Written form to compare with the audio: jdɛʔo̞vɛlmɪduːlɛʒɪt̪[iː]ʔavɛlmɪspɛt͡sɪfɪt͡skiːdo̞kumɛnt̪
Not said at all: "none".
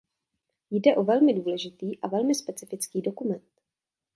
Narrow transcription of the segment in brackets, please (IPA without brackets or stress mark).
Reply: iː